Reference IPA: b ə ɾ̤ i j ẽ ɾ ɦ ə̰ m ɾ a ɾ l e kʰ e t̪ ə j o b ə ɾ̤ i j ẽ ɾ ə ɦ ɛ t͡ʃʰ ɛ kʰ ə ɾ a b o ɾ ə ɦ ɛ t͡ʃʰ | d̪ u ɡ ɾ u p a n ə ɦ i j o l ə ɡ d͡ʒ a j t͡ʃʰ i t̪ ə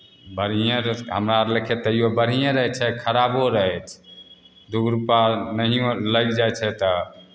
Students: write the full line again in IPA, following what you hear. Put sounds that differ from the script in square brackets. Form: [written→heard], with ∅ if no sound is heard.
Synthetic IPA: b ə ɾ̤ i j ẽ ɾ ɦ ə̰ m ɾ a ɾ l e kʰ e t̪ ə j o b ə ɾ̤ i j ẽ ɾ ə ɦ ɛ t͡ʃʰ ɛ kʰ ə ɾ a b o ɾ ə ɦ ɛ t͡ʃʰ | d̪ u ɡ ɾ u p a n ə ɦ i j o l ə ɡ d͡ʒ a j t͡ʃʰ [i→ɛ] t̪ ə